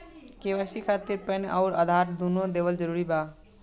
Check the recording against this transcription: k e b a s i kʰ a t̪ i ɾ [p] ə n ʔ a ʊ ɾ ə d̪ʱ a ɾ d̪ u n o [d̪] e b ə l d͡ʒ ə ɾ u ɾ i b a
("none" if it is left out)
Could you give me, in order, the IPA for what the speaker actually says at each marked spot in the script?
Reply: p, d̪

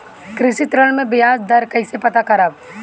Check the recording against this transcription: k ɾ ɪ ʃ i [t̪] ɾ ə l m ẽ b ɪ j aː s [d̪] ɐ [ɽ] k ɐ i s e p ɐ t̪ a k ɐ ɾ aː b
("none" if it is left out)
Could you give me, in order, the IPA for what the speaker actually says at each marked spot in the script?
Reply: t̪, d̪, ɾ

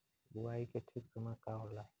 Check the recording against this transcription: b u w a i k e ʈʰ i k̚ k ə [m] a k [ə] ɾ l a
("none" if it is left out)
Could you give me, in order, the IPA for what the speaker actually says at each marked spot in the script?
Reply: m, a

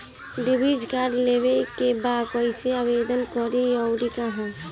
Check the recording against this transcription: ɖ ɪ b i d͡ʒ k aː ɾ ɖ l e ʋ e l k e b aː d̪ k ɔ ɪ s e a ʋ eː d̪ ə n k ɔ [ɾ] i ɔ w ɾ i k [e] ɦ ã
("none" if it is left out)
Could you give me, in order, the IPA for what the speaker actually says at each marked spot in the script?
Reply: ɾ, a

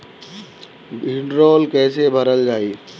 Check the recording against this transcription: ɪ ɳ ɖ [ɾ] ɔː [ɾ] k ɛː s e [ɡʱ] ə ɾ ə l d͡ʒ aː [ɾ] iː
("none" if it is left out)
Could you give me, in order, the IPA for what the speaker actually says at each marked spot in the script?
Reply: ɾ, l, bʱ, none

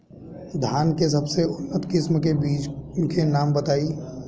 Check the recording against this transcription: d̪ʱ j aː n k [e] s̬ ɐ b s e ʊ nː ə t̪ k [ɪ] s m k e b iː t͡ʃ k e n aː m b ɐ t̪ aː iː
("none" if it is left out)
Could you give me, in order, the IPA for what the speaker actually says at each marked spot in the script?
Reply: e, ɪ

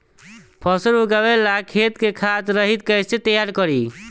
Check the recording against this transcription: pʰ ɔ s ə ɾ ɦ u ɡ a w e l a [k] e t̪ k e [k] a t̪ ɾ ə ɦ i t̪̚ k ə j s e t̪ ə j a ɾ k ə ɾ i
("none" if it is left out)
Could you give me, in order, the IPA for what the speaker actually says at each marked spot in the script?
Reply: kʰ, kʰ

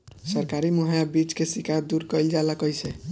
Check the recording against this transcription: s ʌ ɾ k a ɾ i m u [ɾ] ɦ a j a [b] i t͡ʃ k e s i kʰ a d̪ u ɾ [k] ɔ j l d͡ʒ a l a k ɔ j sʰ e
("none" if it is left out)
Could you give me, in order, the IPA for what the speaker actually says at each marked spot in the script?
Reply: none, b, k

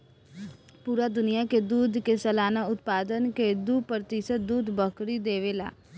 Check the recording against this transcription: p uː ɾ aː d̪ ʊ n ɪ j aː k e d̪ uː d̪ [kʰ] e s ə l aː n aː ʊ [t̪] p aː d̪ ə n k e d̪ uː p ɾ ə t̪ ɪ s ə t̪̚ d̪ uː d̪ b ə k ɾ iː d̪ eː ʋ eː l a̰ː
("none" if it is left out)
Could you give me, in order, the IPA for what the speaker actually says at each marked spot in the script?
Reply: k, t̪

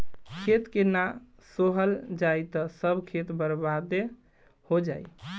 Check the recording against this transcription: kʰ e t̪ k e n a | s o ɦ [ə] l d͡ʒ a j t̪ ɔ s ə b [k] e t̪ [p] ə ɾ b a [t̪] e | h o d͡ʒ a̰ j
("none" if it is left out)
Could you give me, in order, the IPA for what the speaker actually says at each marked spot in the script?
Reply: ə, kʰ, b, d̪

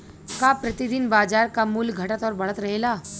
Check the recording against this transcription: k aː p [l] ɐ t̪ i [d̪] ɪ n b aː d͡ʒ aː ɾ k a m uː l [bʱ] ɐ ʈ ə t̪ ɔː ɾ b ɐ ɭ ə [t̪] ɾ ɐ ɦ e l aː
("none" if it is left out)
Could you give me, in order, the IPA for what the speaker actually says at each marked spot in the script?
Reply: ɾ, d̪, ɡʱ, t̪

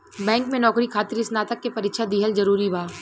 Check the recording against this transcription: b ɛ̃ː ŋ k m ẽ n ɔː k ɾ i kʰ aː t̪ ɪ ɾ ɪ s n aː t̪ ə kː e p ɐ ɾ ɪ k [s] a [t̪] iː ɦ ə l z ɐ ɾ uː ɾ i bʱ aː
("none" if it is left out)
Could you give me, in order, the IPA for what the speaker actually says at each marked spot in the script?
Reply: ʃ, d̪

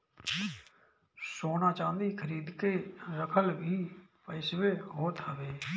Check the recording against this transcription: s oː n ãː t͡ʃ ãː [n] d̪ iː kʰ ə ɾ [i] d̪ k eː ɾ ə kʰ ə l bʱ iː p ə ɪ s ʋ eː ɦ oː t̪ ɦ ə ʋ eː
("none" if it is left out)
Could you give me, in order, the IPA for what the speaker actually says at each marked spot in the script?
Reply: n, iː

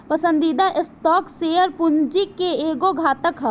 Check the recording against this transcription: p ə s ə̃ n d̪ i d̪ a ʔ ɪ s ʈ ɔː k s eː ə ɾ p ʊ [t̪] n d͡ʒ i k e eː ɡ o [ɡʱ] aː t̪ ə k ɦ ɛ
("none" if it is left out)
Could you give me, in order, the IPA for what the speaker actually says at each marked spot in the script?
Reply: none, ɡʱ

